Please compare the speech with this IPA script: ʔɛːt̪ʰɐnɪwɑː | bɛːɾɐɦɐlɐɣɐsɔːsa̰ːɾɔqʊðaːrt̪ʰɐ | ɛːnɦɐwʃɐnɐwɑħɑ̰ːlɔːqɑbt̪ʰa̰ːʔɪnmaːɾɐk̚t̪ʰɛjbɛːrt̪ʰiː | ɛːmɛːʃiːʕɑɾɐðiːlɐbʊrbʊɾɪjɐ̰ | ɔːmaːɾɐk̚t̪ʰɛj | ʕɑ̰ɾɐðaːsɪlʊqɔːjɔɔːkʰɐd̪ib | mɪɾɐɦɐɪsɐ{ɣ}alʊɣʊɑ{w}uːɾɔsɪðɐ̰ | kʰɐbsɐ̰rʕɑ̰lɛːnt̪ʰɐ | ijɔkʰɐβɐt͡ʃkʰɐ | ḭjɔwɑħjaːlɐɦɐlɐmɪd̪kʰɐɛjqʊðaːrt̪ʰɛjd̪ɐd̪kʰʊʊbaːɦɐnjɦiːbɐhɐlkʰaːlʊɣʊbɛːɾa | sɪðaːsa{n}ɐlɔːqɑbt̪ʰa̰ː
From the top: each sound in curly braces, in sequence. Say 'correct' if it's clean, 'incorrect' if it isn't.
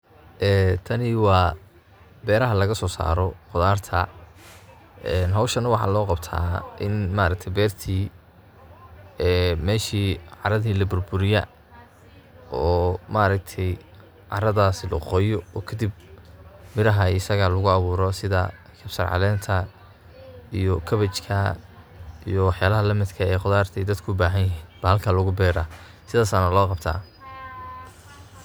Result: correct, incorrect: β, correct

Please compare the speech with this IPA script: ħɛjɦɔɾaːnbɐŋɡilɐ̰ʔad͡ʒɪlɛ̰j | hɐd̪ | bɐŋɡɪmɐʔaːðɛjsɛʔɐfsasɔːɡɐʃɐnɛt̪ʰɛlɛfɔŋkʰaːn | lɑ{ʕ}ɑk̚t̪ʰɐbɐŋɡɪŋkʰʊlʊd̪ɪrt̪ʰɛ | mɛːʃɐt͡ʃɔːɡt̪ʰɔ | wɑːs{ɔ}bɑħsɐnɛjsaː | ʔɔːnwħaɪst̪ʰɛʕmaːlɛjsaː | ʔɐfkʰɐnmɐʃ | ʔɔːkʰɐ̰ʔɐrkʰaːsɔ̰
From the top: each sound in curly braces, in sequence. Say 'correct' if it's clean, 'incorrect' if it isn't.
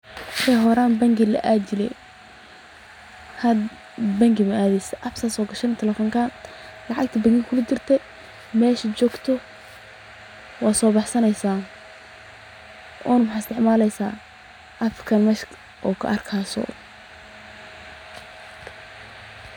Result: correct, incorrect: ɔː

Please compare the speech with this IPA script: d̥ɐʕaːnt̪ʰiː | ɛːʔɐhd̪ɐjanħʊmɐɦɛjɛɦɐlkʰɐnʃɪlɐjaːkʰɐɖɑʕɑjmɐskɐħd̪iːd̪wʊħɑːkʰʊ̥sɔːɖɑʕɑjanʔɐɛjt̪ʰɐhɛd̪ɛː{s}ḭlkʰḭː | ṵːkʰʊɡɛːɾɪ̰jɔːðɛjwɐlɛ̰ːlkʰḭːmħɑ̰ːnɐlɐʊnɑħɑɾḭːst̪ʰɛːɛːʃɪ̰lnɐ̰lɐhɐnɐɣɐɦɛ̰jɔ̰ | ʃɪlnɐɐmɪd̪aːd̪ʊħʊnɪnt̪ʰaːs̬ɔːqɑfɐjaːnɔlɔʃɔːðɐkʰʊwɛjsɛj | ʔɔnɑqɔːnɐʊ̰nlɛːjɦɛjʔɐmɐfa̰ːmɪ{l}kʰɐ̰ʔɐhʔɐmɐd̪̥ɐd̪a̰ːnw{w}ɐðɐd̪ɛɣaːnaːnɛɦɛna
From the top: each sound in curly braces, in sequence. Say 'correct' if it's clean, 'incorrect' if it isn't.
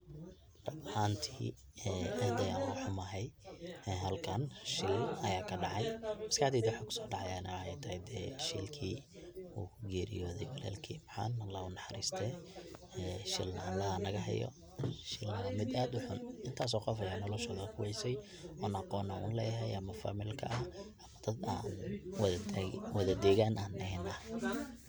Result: incorrect: ʃ, correct, correct

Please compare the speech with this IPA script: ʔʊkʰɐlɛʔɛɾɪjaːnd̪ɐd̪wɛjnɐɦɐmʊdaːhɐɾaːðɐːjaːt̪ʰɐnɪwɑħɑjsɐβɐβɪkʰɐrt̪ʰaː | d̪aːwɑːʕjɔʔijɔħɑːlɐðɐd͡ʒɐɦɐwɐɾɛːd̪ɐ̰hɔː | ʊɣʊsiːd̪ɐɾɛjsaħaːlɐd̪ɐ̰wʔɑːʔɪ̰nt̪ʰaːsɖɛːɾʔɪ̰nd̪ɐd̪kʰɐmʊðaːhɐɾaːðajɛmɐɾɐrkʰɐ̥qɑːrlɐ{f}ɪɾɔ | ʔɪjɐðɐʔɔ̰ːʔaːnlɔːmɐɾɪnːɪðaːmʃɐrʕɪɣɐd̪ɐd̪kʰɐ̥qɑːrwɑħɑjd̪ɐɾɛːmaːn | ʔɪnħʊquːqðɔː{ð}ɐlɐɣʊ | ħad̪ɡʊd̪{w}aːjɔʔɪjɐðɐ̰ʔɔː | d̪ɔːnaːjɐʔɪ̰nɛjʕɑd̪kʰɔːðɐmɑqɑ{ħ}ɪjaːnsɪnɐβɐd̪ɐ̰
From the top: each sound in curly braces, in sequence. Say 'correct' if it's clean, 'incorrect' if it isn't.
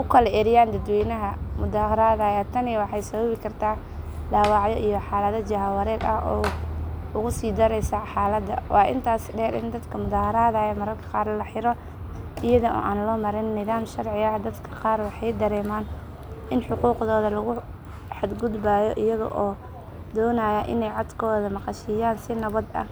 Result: incorrect: ħ, correct, incorrect: b, incorrect: ʃ

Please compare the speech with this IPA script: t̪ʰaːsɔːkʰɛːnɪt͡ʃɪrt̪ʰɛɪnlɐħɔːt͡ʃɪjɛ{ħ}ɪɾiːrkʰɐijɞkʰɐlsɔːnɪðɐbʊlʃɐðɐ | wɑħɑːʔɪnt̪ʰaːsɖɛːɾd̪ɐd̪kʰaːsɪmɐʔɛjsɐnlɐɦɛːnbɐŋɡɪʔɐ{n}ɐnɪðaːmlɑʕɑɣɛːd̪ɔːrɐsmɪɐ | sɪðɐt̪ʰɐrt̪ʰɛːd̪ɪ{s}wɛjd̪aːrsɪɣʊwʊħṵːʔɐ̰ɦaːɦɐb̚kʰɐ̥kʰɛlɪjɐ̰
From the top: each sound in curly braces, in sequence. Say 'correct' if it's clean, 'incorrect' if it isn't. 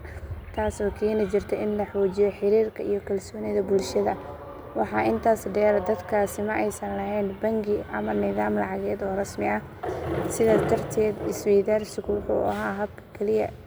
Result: correct, incorrect: m, correct

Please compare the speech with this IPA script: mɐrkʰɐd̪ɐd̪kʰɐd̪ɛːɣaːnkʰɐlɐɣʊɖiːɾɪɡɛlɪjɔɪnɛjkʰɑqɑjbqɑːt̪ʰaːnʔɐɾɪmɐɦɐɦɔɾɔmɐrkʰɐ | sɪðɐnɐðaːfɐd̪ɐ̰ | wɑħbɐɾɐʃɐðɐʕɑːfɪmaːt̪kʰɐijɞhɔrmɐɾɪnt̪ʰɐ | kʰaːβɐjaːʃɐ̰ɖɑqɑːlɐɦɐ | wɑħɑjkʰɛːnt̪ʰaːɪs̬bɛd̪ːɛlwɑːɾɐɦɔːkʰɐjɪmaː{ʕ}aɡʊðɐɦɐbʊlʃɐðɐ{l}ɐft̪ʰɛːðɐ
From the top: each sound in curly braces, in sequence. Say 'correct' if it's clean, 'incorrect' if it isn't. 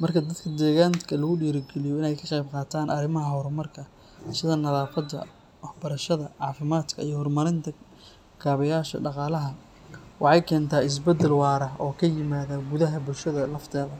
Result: incorrect: ð, correct

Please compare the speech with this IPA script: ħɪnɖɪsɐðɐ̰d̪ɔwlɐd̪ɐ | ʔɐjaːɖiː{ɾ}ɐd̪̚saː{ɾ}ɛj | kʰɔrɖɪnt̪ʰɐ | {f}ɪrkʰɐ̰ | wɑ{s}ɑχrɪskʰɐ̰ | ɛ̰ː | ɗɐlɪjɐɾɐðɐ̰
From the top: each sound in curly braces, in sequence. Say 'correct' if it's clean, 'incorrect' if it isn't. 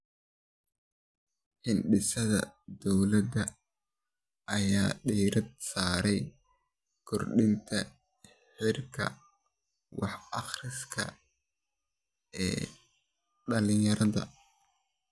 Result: correct, correct, incorrect: ħ, incorrect: ħ

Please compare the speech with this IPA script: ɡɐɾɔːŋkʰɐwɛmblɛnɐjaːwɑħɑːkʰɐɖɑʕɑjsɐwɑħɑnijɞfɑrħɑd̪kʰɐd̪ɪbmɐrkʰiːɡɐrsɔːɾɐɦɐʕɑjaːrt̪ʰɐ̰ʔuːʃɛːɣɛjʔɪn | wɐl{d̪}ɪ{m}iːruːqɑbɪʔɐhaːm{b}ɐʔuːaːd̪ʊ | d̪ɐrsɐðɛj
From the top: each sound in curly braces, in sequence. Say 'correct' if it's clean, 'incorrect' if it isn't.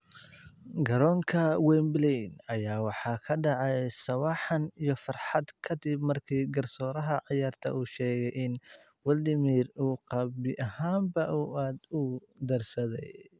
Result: correct, correct, correct

